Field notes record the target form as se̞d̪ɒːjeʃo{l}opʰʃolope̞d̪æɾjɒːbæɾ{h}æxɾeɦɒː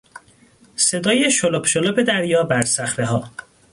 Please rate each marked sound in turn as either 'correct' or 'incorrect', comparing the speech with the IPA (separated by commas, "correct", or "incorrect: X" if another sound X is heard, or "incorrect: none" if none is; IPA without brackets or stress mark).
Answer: correct, incorrect: s